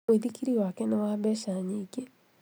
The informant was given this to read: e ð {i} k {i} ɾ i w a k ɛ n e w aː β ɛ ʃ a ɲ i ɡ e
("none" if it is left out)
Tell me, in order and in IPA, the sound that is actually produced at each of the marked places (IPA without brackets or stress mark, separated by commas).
i, i